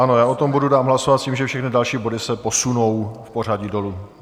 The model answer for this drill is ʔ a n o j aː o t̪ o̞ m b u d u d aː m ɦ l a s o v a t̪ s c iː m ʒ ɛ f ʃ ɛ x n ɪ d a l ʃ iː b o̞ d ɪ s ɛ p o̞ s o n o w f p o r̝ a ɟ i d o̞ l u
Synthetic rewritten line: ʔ a n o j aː o t̪ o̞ m b u d u d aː m ɦ l a s o v a t̪ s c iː m ʒ ɛ f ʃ ɛ x n ɪ d a l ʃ iː b o̞ d ɪ s ɛ p o̞ s u n o w f p o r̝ a ɟ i d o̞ l u